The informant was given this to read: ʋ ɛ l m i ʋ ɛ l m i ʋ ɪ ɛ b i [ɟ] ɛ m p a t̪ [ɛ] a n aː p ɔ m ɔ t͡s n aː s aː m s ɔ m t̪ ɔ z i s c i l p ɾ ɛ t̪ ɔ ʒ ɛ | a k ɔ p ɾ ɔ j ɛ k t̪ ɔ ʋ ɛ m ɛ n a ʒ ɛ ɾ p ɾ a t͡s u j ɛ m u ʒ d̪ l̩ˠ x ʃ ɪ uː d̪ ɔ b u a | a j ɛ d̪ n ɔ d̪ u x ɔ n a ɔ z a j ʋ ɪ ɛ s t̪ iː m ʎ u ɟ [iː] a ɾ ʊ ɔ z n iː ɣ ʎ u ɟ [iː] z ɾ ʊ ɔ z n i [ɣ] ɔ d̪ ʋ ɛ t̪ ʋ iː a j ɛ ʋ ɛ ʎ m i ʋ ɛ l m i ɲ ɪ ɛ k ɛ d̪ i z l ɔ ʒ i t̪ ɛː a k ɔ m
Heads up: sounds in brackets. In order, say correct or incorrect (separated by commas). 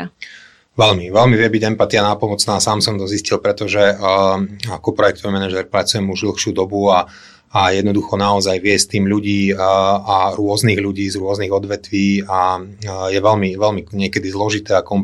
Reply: correct, incorrect, correct, correct, correct